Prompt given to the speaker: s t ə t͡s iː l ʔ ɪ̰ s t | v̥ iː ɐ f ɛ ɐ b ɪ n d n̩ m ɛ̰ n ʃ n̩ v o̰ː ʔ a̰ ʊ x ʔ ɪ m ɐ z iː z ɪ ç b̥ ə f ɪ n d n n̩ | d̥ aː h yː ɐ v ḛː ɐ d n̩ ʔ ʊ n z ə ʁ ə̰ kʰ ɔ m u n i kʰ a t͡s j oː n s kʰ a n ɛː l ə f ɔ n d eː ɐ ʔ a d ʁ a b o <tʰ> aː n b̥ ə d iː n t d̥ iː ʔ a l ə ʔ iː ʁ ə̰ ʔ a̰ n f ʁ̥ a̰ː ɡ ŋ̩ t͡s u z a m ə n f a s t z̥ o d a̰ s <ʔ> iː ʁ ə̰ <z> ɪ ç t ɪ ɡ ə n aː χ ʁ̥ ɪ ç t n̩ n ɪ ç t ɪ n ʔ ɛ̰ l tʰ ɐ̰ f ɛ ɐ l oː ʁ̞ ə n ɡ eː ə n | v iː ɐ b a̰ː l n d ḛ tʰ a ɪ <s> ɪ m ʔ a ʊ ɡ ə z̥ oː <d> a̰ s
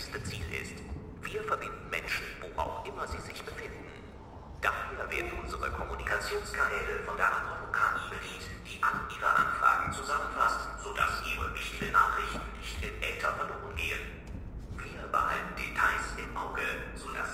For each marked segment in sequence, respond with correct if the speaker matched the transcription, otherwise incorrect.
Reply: incorrect: kʰ, correct, incorrect: v, correct, correct

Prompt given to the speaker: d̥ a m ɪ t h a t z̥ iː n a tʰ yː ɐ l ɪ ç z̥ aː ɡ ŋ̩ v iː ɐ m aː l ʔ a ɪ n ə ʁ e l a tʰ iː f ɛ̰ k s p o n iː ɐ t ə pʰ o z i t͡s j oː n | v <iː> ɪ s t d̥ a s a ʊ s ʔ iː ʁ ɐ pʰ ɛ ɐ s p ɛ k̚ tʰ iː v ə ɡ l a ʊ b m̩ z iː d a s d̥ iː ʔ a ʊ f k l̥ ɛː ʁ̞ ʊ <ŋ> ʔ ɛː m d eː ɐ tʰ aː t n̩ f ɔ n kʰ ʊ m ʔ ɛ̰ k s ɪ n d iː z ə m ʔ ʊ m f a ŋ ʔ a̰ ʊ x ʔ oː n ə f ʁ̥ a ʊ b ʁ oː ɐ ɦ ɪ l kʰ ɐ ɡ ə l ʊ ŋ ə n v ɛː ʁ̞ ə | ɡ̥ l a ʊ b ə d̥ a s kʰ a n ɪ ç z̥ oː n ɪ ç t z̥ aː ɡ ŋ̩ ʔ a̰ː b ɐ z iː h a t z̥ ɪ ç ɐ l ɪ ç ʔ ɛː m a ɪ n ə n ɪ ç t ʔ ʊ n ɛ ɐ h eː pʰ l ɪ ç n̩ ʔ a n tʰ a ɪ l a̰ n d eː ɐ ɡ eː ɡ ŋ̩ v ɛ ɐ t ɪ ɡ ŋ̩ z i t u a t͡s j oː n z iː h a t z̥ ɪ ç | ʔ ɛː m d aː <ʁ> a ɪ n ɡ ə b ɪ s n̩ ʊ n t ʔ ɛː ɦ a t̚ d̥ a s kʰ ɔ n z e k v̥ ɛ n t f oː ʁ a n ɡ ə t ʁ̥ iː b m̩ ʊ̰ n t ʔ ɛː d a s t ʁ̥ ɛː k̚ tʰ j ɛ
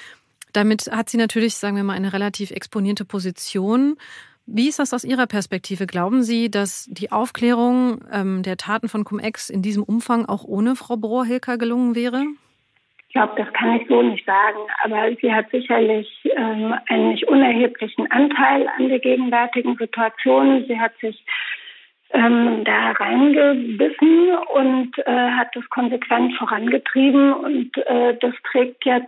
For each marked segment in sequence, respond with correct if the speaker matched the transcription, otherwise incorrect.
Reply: correct, correct, correct

